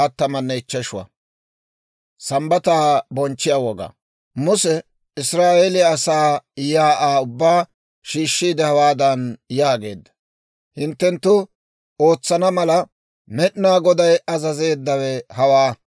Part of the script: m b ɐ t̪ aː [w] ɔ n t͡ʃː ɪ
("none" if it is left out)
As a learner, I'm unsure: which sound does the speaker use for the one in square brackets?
b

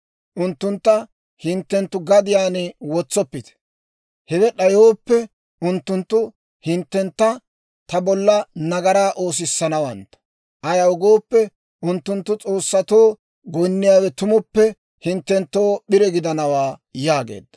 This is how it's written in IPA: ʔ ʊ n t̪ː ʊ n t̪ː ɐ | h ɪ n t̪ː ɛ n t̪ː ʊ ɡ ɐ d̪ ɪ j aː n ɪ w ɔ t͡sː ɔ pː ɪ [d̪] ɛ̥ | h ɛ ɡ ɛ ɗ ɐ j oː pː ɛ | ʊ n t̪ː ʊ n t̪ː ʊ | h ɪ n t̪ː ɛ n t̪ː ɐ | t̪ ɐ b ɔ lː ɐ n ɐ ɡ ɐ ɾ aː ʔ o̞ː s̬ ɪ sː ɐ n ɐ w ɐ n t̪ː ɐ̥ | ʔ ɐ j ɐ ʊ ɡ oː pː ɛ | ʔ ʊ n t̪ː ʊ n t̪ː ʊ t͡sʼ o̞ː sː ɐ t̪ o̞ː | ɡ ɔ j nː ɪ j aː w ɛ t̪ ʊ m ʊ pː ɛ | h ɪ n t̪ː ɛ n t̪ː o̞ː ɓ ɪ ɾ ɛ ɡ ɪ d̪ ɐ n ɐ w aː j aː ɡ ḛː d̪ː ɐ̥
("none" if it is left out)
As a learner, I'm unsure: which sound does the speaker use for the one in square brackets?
t̪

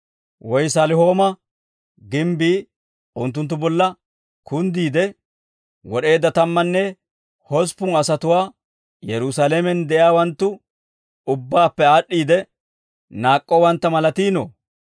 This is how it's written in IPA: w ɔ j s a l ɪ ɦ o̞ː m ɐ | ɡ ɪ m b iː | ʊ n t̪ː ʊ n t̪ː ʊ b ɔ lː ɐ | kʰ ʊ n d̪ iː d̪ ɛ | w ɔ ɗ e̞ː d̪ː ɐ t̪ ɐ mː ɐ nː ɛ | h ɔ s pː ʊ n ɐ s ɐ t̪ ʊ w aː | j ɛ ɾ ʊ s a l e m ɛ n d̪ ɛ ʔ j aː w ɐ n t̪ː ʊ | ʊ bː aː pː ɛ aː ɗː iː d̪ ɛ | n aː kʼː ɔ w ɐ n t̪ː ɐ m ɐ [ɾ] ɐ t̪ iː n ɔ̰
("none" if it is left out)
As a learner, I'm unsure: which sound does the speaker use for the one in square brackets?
l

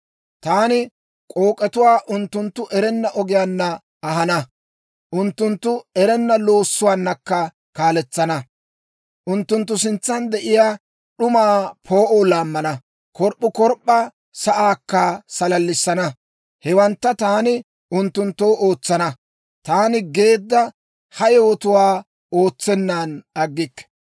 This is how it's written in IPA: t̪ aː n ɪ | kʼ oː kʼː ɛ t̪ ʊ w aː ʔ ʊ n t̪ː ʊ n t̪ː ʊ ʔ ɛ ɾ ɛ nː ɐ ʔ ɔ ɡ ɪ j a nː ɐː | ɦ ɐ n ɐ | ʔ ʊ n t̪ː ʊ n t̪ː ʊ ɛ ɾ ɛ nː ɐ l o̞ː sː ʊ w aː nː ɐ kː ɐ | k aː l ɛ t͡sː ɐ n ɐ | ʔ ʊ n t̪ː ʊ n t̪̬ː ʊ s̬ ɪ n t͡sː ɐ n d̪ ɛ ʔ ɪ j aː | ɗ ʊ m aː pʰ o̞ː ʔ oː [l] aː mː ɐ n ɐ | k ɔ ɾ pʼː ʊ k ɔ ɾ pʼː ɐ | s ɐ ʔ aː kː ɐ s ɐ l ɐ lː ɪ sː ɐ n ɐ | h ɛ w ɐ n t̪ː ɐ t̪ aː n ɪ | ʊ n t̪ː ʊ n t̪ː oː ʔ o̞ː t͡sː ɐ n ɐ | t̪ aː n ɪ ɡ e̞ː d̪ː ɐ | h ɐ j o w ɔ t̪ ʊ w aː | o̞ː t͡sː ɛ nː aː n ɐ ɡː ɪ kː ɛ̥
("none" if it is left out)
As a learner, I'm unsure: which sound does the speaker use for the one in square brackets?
l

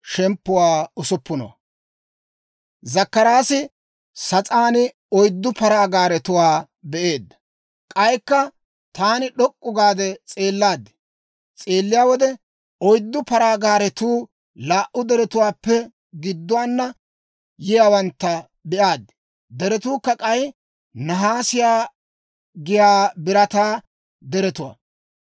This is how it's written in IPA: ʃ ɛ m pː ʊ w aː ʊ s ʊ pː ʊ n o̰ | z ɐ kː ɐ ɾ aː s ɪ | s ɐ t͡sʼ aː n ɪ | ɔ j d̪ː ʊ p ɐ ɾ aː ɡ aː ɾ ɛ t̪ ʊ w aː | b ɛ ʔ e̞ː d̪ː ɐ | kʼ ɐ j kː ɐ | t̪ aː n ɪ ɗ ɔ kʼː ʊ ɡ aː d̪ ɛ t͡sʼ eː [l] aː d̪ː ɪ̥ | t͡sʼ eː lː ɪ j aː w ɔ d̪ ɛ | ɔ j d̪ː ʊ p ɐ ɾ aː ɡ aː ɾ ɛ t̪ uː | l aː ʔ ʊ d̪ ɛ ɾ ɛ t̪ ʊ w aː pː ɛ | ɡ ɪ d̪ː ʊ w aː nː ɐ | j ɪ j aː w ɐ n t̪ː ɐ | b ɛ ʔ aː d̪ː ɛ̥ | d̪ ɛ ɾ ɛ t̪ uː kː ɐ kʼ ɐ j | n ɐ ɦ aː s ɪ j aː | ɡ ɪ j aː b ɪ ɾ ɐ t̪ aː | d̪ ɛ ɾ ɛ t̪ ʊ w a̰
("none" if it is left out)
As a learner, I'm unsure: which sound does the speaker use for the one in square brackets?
lː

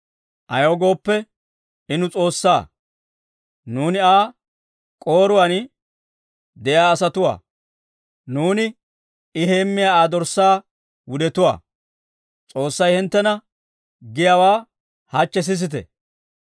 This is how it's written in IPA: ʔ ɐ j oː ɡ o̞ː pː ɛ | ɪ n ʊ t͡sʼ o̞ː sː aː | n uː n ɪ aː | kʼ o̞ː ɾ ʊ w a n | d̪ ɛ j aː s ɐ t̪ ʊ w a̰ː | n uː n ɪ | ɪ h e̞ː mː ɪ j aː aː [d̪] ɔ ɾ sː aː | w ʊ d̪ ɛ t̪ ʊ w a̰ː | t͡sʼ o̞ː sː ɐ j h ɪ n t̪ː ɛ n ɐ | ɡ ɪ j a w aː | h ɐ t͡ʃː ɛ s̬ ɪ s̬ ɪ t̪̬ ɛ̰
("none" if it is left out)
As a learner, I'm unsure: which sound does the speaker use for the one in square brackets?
d̪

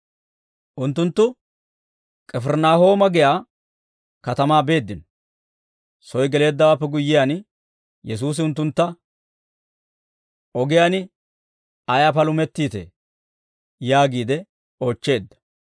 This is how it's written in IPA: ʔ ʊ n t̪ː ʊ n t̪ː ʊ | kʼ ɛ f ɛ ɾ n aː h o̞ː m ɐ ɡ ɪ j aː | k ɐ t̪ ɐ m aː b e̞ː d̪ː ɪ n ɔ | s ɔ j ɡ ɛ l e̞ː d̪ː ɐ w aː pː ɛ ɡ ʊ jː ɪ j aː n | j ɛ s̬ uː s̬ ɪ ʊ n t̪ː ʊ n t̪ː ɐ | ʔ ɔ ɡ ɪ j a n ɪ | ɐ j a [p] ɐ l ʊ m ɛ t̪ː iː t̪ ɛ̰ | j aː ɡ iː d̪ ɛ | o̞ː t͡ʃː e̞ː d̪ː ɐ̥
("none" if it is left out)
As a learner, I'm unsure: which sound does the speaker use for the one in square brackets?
p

